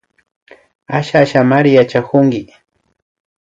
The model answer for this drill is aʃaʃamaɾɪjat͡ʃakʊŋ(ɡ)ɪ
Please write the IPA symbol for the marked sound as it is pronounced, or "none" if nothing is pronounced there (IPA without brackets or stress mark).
ɡ